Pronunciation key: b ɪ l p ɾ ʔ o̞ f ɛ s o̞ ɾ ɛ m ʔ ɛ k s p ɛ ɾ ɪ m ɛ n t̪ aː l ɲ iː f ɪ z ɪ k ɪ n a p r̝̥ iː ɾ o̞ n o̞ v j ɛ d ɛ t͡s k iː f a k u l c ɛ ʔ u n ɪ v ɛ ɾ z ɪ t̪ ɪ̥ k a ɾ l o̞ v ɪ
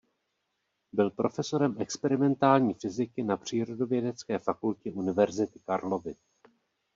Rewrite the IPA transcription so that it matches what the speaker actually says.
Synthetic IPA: b ɪ l p ɾ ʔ o̞ f ɛ s o̞ ɾ ɛ m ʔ ɛ k s p ɛ ɾ ɪ m ɛ n t̪ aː l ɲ iː f ɪ z ɪ k ɪ n a p r̝̥ iː ɾ o̞ d o̞ v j ɛ d ɛ t͡s k ɛː f a k u l c ɛ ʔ u n ɪ v ɛ ɾ z ɪ t̪ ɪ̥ k a ɾ l o̞ v ɪ